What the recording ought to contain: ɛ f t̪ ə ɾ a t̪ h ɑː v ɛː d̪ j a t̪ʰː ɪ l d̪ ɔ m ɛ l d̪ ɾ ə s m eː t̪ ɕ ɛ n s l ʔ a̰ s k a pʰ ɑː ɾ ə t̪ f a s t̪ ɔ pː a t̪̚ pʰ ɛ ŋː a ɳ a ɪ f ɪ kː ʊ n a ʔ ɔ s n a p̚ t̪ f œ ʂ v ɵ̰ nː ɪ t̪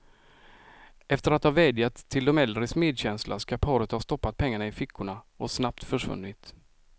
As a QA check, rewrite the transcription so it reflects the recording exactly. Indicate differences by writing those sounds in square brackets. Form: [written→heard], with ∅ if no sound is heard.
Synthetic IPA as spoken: ɛ f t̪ ə ɾ a t̪ h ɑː v ɛː d̪ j a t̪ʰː ɪ l d̪ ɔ m ɛ l d̪ ɾ ə s m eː [t̪→d̪] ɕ ɛ n s l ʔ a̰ s k a pʰ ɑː ɾ ə t̪ [f→h] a s t̪ ɔ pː a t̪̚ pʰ ɛ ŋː a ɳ a ɪ f ɪ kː ʊ [n→ɳ] a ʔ ɔ s n a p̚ t̪ f œ ʂ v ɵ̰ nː ɪ t̪